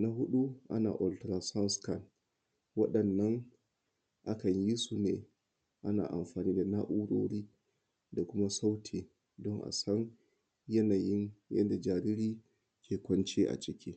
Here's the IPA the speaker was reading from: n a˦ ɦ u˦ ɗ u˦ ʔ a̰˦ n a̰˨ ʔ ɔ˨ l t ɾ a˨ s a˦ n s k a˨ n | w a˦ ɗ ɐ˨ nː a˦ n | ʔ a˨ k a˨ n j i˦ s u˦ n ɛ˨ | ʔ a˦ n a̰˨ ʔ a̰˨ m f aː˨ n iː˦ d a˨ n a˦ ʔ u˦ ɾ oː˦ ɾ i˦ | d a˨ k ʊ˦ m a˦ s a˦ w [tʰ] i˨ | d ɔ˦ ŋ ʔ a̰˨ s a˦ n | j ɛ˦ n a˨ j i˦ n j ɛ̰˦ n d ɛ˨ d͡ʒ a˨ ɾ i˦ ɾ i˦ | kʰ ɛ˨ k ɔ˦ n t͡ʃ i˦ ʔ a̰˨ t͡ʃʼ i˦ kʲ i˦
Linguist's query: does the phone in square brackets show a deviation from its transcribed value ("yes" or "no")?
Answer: no